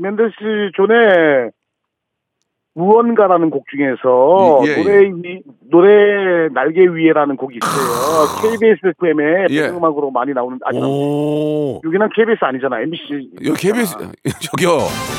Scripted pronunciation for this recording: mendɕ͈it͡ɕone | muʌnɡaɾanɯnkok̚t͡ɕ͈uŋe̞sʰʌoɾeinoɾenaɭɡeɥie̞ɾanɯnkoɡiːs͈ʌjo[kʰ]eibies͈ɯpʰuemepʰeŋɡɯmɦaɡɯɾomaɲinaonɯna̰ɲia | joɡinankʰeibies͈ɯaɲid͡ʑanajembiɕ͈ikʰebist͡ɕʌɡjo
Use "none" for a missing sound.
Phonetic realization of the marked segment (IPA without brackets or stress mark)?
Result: kʰ